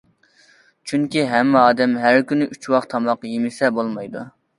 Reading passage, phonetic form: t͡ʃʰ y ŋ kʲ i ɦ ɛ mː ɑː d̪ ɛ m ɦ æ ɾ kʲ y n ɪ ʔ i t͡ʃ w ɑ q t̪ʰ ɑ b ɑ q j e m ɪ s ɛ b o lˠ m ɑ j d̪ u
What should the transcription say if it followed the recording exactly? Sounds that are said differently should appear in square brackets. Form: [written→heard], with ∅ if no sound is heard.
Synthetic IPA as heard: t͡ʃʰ y ŋ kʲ i ɦ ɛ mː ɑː d̪ ɛ m ɦ æ ɾ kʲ y n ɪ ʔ [i→y] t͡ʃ w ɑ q t̪ʰ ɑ [b→m] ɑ q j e m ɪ s ɛ b o lˠ m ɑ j d̪ u